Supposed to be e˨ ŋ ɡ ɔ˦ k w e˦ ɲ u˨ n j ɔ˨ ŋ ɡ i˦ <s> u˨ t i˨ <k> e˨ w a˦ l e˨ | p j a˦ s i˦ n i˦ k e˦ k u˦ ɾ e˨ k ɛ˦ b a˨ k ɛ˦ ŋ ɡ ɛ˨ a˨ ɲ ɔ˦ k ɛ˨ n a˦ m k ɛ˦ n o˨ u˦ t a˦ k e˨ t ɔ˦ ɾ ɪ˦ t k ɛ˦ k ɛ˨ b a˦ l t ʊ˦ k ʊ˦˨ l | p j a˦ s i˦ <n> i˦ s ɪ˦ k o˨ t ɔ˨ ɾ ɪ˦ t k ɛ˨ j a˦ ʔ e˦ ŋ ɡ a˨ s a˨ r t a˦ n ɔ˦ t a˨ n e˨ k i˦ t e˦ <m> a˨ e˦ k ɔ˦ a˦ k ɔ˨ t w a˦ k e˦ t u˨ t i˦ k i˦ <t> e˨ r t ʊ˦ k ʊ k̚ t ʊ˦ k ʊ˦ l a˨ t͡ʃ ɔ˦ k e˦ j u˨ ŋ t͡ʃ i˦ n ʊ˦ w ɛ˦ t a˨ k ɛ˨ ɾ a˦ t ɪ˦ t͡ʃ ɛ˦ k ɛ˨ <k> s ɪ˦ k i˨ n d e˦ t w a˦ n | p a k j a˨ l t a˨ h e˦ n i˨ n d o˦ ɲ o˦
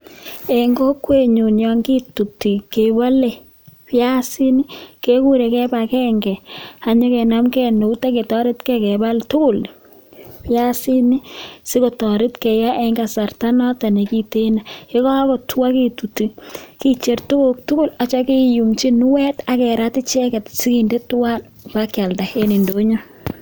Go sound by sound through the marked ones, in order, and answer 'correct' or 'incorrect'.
incorrect: t, correct, correct, incorrect: n, incorrect: t͡ʃ, incorrect: t

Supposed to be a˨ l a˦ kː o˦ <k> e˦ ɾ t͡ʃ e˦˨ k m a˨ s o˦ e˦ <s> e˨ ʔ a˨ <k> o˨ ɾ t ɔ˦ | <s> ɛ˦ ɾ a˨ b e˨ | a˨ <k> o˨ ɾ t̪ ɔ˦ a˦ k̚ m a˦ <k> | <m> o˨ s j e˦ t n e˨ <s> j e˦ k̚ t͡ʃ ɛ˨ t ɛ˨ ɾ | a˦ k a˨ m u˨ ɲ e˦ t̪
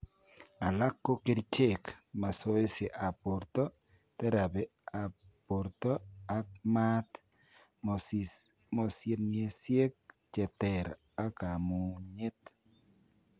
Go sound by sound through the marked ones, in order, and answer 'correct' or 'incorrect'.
correct, correct, incorrect: p, incorrect: t, incorrect: p, incorrect: t, correct, correct

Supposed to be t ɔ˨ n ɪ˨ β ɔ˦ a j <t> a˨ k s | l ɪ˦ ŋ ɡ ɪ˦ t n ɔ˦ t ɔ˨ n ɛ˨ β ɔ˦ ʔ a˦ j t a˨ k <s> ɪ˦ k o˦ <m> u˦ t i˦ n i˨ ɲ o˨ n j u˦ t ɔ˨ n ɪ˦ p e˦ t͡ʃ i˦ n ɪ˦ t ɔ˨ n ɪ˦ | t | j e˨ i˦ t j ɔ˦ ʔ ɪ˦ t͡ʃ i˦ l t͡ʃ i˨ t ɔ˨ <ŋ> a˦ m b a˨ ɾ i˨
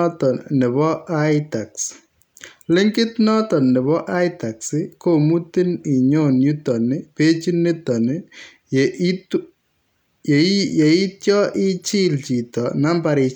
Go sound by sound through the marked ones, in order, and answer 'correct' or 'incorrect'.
correct, correct, correct, incorrect: n

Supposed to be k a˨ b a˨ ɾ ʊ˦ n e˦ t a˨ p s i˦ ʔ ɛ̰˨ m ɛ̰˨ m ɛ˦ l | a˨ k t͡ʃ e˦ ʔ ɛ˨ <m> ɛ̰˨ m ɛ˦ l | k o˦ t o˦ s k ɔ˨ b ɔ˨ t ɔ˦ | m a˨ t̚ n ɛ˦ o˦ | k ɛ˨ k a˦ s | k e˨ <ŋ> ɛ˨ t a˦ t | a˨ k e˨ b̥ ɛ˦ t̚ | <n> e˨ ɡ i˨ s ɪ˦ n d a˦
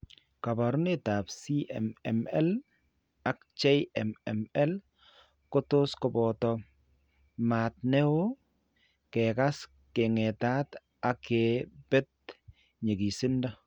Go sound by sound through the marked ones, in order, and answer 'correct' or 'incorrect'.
correct, correct, incorrect: ɲ

